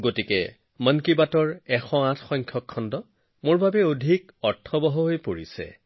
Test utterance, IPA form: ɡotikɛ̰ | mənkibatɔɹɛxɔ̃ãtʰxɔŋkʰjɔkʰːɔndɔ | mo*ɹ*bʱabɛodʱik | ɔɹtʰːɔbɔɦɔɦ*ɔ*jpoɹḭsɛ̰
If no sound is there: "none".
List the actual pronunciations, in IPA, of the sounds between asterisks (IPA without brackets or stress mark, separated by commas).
ɹ, o